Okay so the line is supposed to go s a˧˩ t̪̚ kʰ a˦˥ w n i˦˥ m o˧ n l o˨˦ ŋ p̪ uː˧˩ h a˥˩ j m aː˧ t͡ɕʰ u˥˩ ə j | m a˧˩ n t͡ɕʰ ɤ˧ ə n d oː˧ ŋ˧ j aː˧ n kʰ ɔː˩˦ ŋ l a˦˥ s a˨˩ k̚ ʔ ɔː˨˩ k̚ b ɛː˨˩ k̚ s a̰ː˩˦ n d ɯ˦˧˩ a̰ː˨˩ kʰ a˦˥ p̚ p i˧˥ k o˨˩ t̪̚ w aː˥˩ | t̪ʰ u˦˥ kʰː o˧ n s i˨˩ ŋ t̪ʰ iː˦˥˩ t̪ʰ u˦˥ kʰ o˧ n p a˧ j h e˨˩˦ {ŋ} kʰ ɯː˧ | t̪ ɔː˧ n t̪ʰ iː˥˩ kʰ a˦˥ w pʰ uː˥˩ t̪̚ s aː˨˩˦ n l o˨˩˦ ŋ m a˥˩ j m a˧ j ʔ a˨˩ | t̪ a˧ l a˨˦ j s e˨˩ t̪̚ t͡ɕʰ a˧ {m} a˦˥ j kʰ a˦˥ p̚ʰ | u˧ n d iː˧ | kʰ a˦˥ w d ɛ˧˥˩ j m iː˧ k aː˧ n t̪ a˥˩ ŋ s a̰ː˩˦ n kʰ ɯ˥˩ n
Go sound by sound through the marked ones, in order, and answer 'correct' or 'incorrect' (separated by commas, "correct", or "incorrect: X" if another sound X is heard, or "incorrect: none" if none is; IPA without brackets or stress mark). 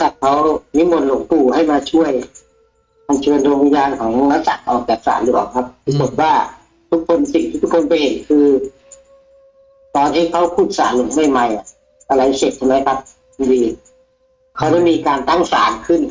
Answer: incorrect: n, correct